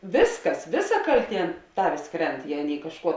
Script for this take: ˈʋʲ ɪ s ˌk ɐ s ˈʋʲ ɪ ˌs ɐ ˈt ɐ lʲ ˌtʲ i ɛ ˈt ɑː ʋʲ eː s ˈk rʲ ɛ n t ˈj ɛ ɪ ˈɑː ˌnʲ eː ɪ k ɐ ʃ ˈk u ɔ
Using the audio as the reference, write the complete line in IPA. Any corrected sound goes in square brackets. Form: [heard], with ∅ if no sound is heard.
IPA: ˈʋʲ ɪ s ˌk ɐ s ˈʋʲ ɪ ˌs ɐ [ˈk] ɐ lʲ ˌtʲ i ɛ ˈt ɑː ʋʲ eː s ˈk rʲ ɛ n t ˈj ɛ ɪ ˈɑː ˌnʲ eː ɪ k ɐ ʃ ˈk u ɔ